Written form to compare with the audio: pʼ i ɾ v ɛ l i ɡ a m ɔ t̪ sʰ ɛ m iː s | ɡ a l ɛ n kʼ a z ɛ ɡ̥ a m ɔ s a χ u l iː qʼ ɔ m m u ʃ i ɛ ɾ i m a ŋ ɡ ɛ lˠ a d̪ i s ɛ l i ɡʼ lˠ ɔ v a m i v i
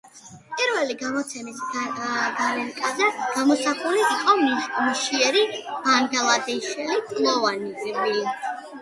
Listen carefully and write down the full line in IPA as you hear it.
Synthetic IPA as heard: pʼ i ɾ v ɛ l i ɡ a m ɔ t̪ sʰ ɛ m i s | ɡ a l ɛ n kʼ a z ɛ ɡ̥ a m ɔ s a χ u l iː qʼ ɔ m m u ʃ i ɛ ɾ i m a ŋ ɡ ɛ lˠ a d̪ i ʃ ɛ l i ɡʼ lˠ ɔ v a n i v i